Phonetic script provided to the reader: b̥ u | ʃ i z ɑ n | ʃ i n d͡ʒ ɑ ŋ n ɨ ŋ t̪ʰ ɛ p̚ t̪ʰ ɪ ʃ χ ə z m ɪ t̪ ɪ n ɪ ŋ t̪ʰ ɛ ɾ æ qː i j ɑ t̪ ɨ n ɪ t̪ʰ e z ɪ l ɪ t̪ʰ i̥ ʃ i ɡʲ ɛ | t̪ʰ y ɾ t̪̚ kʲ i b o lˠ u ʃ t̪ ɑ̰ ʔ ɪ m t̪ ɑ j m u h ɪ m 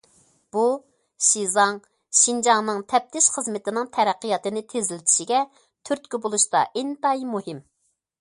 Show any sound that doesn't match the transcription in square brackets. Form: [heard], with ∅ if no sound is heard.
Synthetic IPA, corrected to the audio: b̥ u | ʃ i z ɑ [ŋ] | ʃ i n d͡ʒ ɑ ŋ n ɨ ŋ t̪ʰ ɛ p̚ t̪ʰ ɪ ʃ χ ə z m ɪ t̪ ɪ n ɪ ŋ t̪ʰ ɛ ɾ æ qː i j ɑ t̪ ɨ n ɪ t̪ʰ e z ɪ l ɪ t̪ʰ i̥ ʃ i ɡʲ ɛ | t̪ʰ y ɾ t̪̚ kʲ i b o lˠ u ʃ t̪ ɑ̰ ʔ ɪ [n] t̪ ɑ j m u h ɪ m